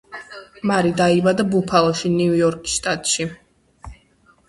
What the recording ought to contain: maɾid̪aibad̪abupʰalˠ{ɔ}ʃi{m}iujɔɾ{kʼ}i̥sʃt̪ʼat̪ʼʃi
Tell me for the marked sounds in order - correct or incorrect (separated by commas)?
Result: correct, incorrect, correct